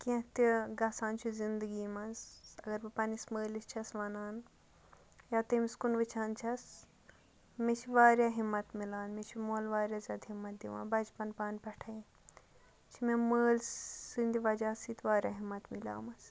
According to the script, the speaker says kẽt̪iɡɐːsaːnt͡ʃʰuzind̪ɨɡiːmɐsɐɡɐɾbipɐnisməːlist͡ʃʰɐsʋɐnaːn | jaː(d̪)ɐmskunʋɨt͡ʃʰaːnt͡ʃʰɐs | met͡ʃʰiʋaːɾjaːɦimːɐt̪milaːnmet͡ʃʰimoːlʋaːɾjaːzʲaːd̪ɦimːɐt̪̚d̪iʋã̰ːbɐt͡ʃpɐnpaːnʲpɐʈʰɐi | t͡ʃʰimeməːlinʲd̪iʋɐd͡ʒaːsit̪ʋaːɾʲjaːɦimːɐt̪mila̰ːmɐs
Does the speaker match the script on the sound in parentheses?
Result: no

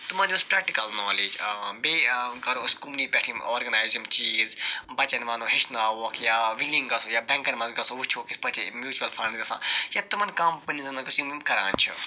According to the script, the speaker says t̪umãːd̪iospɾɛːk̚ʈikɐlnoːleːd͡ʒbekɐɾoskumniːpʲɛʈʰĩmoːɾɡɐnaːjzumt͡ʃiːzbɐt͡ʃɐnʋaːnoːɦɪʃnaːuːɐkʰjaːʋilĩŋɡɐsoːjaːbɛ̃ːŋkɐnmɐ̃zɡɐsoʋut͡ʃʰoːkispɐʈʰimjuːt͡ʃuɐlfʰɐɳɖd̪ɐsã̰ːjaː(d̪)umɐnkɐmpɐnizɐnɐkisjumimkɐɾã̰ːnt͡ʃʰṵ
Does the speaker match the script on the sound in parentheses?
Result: no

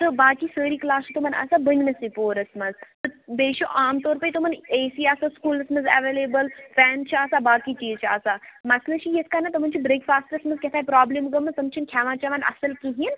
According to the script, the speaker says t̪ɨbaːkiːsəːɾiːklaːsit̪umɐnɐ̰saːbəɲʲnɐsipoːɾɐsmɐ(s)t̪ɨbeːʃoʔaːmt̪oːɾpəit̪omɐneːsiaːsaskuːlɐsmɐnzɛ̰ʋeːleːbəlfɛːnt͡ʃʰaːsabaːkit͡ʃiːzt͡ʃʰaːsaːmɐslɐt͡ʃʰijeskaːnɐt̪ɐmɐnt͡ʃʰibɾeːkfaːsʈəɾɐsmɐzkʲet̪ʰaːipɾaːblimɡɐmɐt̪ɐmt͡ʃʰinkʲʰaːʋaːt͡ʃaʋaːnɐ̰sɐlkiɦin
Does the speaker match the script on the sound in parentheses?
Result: no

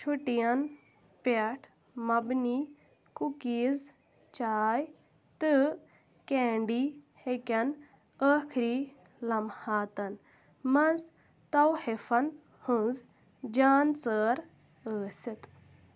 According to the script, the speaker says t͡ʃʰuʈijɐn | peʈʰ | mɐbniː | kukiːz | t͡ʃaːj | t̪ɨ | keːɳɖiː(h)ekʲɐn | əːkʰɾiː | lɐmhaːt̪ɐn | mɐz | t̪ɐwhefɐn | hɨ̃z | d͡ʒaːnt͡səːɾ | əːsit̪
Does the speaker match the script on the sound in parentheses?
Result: yes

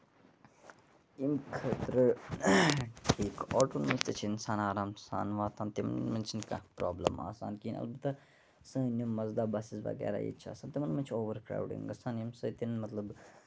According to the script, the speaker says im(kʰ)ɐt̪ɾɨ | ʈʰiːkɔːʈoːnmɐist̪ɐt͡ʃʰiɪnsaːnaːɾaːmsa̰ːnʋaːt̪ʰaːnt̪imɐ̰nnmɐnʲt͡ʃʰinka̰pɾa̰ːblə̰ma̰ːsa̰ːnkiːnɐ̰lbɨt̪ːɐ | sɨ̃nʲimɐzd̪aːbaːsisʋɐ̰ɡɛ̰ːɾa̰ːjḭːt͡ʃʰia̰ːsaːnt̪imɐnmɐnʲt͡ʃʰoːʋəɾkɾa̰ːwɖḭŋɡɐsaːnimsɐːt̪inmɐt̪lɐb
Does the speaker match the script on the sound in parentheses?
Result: yes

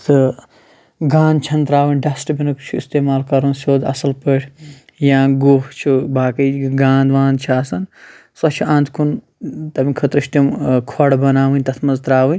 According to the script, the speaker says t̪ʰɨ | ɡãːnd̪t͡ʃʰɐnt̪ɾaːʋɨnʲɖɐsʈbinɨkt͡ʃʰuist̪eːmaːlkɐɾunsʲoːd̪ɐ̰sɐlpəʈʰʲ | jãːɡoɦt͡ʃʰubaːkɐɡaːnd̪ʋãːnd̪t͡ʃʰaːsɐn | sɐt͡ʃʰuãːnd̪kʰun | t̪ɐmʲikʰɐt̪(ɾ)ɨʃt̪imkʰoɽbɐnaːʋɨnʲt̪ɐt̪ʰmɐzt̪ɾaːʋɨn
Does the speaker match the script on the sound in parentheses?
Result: yes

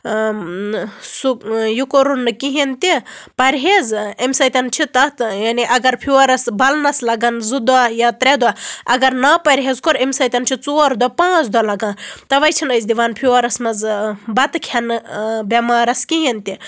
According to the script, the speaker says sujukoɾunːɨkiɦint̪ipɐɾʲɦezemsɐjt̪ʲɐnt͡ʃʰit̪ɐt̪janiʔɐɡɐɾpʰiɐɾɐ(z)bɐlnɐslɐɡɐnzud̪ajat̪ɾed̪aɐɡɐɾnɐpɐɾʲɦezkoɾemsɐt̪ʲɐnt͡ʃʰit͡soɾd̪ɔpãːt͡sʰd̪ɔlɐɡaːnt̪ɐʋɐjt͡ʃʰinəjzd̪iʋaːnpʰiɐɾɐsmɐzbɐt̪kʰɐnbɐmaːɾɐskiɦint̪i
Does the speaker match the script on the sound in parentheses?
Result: no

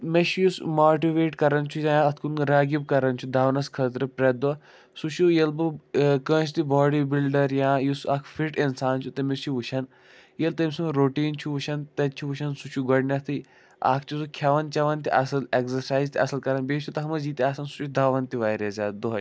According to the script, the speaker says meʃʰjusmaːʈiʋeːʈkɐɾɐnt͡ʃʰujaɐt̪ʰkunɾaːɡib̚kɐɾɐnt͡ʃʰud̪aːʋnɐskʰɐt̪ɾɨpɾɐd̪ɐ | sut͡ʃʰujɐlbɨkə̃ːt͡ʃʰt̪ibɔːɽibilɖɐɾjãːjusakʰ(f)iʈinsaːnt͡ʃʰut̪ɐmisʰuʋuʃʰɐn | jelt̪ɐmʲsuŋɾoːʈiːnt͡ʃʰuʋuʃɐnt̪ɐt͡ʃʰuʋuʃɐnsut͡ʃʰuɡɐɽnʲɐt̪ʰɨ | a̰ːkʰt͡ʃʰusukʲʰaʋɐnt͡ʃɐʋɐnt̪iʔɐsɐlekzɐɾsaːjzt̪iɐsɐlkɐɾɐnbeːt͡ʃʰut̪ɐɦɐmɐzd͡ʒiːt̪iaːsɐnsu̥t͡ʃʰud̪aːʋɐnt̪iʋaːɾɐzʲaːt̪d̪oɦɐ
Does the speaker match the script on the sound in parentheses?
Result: yes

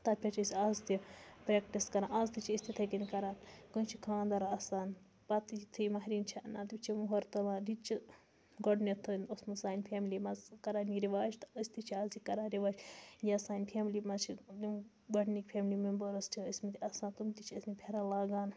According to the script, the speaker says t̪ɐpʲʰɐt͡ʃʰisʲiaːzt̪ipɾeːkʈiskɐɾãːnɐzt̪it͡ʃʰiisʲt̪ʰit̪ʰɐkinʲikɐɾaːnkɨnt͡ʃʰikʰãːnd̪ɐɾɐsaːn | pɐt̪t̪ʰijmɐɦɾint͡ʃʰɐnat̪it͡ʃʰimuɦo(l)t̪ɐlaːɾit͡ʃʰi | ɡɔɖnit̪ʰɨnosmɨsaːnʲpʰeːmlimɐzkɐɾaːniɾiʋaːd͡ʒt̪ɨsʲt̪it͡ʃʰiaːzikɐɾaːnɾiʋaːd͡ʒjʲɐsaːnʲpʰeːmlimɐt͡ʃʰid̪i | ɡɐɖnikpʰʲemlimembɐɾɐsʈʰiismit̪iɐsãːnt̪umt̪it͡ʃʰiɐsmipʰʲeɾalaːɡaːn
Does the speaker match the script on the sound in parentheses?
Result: no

